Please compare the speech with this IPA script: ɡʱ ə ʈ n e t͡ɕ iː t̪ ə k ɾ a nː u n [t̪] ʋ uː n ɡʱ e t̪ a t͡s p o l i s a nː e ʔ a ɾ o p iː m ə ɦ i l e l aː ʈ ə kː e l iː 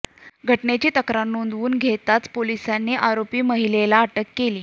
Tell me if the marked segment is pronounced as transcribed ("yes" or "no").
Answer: no